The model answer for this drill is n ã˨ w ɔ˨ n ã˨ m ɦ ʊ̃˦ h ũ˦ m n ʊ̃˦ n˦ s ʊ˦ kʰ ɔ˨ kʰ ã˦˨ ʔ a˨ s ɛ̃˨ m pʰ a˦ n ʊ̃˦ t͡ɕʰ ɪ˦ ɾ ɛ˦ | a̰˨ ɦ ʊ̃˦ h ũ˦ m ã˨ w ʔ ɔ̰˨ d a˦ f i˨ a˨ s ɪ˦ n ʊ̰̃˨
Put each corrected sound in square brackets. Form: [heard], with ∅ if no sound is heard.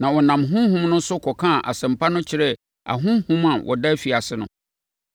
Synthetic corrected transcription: n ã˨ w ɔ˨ n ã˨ m ɦ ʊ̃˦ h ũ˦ m n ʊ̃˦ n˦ s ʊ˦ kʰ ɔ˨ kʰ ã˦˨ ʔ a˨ s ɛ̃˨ m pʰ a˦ n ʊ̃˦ t͡ɕʰ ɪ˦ ɾ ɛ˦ | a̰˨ ɦ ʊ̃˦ h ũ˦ m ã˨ w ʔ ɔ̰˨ d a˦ f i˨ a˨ s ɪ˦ n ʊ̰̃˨